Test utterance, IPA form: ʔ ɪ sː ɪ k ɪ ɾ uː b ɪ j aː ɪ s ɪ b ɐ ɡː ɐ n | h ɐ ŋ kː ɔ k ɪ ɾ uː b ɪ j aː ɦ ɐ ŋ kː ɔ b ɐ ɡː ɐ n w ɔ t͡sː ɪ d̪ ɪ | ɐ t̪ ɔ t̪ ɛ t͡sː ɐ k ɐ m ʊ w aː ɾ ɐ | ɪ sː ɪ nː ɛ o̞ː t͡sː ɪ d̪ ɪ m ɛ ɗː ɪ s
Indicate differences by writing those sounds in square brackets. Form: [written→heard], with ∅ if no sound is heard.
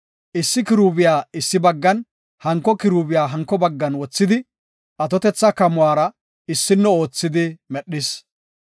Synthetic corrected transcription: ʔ ɪ sː ɪ k ɪ ɾ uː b ɪ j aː ɪ [s→sː] ɪ b ɐ ɡː ɐ n | h ɐ ŋ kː ɔ k ɪ ɾ uː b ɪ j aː ɦ ɐ ŋ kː ɔ b ɐ ɡː ɐ n w ɔ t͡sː ɪ d̪ ɪ | ɐ t̪ ɔ t̪ ɛ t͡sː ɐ k ɐ m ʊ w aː ɾ ɐ | ɪ sː ɪ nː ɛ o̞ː t͡sː ɪ d̪ ɪ m ɛ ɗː ɪ s